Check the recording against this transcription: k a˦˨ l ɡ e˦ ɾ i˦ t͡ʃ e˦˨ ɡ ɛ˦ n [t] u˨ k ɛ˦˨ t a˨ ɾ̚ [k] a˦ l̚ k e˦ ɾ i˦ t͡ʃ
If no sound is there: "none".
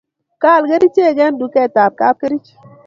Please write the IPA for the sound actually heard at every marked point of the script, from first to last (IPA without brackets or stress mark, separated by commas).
d, k